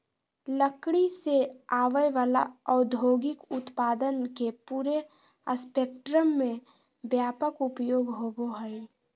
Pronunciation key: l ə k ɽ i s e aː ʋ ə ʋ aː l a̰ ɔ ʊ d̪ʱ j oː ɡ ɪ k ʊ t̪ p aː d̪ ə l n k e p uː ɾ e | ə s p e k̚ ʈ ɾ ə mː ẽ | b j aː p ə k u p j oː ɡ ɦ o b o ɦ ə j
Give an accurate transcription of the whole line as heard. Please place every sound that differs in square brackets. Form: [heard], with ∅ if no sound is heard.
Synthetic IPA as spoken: l ə k ɽ i s e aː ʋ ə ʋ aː l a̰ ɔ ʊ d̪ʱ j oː ɡ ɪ k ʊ t̪ p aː d̪ ə [∅] n k e p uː ɾ e | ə s p e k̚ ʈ ɾ ə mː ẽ | b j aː p ə k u p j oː ɡ ɦ o b o ɦ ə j